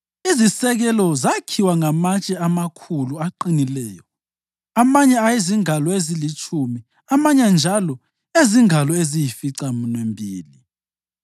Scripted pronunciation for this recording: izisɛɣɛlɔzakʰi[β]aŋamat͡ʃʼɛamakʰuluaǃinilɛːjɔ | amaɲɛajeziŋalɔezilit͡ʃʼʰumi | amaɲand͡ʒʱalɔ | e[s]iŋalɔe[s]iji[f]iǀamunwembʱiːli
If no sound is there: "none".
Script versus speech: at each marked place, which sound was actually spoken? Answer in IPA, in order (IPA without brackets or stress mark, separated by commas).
w, z, z, f